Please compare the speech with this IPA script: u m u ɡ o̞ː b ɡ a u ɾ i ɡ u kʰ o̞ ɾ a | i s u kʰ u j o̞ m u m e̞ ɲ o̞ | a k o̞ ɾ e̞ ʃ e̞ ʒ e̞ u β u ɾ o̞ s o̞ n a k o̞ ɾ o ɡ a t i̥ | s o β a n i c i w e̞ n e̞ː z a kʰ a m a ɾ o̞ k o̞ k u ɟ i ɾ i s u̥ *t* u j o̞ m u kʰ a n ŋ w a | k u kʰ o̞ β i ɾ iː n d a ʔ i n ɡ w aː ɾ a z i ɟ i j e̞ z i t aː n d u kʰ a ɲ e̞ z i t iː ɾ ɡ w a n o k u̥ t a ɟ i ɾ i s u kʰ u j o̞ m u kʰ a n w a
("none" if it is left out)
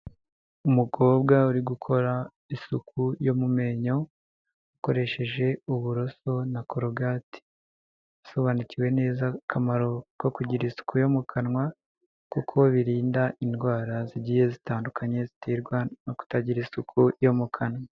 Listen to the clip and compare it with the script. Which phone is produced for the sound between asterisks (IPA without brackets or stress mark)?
k